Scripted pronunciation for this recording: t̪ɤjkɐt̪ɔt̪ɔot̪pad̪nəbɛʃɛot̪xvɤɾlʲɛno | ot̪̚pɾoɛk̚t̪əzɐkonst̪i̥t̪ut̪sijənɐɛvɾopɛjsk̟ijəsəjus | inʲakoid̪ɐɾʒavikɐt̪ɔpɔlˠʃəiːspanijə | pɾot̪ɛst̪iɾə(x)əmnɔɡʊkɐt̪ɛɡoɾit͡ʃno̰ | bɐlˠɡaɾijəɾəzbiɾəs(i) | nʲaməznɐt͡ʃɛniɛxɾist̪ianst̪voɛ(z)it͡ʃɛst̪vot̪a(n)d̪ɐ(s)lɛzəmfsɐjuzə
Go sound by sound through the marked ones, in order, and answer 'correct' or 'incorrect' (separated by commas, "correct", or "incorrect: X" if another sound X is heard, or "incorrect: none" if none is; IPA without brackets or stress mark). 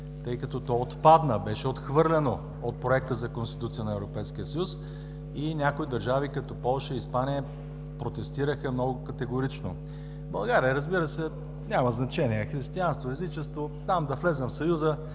correct, incorrect: ɛ, correct, incorrect: m, incorrect: f